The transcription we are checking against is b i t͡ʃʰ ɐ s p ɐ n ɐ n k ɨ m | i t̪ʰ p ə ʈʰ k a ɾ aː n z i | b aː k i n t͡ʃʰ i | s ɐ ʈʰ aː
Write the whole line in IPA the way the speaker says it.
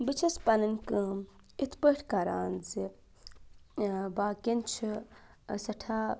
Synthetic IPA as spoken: b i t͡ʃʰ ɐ s p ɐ n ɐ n k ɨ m | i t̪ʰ p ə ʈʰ k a ɾ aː n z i | b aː k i n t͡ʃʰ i | s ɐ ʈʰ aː